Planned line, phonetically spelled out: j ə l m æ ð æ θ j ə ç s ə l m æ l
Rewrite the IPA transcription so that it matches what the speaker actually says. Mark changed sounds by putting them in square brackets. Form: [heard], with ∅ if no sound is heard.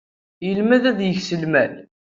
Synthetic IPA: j ə l m æ ð æ [ð] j ə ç s ə l m æ l